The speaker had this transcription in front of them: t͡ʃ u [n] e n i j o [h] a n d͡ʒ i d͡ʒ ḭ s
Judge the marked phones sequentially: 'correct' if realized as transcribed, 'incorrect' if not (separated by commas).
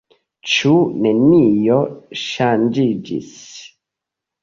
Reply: correct, incorrect